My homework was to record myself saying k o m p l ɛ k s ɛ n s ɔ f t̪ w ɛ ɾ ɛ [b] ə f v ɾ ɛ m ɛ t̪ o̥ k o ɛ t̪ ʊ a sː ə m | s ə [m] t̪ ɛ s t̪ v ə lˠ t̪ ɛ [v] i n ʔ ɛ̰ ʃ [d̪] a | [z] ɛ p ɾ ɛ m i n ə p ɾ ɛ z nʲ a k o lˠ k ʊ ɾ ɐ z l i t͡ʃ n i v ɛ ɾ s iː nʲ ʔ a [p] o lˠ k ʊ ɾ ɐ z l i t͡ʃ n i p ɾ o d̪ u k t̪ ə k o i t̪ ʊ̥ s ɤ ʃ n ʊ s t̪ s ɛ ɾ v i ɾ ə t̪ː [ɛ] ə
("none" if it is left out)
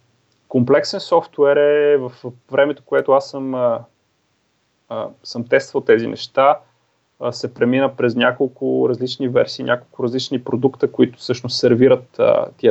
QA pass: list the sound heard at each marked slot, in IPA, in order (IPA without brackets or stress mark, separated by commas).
v, m, z, t̪, s, k, i